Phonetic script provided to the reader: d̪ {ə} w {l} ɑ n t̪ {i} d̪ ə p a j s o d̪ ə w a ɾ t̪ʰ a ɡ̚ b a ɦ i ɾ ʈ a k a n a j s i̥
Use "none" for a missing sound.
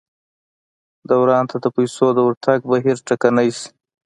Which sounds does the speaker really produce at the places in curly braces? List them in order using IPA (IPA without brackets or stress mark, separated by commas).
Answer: a, ɾ, a